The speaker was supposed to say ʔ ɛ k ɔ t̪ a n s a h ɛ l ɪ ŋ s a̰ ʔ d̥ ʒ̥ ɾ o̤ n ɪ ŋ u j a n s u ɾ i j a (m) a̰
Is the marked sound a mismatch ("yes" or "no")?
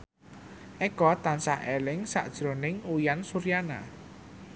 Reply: yes